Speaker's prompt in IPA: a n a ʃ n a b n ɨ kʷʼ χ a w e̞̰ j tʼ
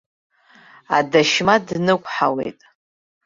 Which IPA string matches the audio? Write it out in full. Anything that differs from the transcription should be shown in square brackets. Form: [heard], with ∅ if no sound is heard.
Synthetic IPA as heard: a [d] a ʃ [m] a [d] n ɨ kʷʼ [ħ] a w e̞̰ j tʼ